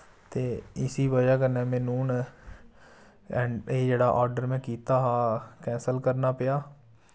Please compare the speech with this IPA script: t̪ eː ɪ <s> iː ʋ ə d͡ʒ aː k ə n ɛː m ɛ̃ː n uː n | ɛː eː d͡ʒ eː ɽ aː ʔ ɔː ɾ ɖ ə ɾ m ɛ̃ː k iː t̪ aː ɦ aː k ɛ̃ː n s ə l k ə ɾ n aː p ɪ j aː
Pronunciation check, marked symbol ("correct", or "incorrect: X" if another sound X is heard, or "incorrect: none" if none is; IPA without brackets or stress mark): correct